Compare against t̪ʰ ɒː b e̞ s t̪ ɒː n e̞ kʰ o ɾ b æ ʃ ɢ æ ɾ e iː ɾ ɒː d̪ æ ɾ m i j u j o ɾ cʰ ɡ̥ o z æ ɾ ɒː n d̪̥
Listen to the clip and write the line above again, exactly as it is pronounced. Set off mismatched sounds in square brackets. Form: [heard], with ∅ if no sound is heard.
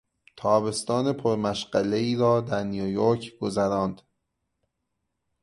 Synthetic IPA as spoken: t̪ʰ ɒː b e̞ s t̪ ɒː n e̞ [pʰ] o ɾ [m] æ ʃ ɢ æ [l] e iː ɾ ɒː d̪ æ ɾ [n] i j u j o ɾ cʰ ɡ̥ o z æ ɾ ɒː n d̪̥